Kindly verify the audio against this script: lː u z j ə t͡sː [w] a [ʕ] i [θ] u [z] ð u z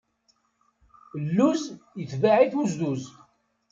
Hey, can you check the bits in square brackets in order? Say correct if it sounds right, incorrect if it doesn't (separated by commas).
incorrect, correct, correct, correct